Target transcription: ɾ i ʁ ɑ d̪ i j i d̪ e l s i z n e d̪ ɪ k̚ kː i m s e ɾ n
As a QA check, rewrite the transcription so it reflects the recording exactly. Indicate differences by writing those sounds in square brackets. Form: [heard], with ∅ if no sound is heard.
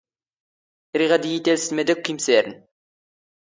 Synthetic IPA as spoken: ɾ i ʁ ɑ d̪ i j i [t̪] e l s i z [m] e d̪ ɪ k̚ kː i m s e ɾ n